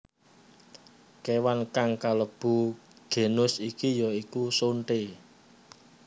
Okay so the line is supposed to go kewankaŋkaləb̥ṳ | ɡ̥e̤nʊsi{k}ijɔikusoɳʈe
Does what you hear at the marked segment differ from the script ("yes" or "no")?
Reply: no